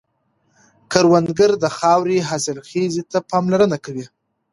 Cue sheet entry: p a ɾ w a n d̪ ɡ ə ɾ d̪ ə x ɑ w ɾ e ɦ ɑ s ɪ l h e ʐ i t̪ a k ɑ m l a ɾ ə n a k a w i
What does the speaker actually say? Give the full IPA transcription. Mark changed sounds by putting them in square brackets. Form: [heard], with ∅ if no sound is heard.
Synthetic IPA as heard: [k] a ɾ w a n d̪ ɡ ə ɾ d̪ ə x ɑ w ɾ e ɦ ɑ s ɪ l [x] e [z] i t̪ a [p] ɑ m l a ɾ ə n a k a w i

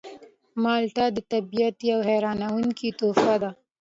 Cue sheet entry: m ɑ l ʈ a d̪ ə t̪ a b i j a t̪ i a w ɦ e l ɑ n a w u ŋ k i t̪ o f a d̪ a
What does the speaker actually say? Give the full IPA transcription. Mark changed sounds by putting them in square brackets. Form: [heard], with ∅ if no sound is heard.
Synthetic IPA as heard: m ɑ l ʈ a d̪ ə t̪ a b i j a t̪ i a w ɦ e [ɾ] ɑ n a w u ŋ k i t̪ o f a d̪ a

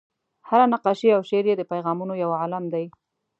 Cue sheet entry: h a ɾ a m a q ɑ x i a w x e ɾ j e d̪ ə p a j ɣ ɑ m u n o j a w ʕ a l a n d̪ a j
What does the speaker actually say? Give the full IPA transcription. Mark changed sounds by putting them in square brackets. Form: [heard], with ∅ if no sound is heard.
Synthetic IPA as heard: h a ɾ a [n] a q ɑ [ʃ] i a w [ʃ] e ɾ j e d̪ ə p a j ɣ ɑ m u n o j a w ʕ a l a [m] d̪ a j

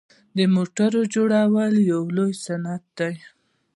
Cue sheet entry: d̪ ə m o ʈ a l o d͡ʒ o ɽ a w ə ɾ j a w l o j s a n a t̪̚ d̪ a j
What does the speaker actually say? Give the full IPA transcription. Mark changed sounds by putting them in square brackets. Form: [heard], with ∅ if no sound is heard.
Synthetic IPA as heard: d̪ ə m o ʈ a [ɾ] o d͡ʒ o ɽ a w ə [l] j a w l o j s a n a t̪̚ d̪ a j

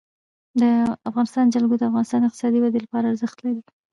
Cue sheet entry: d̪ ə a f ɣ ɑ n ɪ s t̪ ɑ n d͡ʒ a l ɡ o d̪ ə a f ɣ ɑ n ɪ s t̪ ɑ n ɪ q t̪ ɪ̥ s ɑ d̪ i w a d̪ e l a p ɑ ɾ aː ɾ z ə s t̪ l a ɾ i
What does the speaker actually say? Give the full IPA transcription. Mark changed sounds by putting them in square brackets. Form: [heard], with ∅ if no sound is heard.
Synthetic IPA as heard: d̪ ə a f ɣ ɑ n ɪ s t̪ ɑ n d͡ʒ a l ɡ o d̪ ə a f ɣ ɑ n ɪ s t̪ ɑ n ɪ q t̪ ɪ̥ s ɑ d̪ i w a d̪ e l a p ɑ ɾ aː ɾ z ə [x] t̪ l a ɾ i

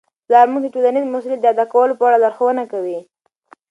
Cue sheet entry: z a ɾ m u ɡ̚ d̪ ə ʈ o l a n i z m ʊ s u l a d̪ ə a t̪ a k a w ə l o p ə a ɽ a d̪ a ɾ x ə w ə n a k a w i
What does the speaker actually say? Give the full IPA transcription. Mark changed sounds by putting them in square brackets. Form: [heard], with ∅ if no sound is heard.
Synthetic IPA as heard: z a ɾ m u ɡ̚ d̪ ə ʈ o l a n i z m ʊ s u l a d̪ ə a [d̪] a k a w ə l o p ə a ɽ a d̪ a ɾ x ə w ə n a k a w i

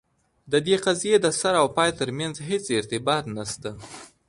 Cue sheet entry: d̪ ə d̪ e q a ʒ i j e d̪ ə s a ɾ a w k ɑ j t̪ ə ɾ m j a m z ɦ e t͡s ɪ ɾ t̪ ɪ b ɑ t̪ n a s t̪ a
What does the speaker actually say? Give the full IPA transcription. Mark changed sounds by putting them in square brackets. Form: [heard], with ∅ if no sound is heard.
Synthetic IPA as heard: d̪ ə d̪ e q a [z] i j e d̪ ə s a ɾ a w [p] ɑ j t̪ ə ɾ m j a [n] z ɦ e t͡s ɪ ɾ t̪ ɪ b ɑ t̪ n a s t̪ a

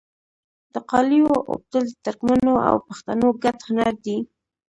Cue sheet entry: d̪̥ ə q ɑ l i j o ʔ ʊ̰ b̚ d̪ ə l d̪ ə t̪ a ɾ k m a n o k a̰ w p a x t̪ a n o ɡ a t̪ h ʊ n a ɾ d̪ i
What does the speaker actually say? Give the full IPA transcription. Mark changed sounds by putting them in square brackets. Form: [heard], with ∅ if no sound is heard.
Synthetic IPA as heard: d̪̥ ə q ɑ l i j o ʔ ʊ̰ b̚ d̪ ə l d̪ ə t̪ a ɾ k m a n o [∅] a̰ w p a x t̪ a n o ɡ a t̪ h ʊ n a ɾ d̪ i

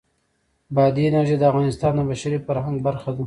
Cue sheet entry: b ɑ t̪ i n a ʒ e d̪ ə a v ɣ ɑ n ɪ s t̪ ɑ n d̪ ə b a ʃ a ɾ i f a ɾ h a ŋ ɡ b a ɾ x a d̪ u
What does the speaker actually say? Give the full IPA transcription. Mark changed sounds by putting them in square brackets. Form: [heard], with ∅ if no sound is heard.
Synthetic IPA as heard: b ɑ [d̪] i n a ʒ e d̪ ə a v ɣ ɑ n ɪ s t̪ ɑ n d̪ ə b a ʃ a ɾ i f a ɾ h a ŋ ɡ b a ɾ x a d̪ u

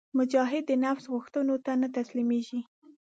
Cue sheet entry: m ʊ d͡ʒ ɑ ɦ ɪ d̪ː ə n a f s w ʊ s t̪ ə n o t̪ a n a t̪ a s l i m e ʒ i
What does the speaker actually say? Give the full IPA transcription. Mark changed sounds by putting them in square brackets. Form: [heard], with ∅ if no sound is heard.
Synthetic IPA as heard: m ʊ d͡ʒ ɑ ɦ ɪ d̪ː ə n a f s [ɣ] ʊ [x] t̪ ə n o t̪ a n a t̪ a s l i m e ʒ i

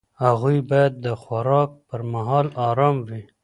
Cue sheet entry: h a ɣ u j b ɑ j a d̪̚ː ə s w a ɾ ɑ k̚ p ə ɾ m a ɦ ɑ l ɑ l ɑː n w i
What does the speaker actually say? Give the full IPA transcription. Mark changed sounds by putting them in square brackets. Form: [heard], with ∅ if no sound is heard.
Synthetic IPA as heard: h a ɣ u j b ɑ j a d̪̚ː ə [x] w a ɾ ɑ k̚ p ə ɾ m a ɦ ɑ l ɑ [ɾ] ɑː [m] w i

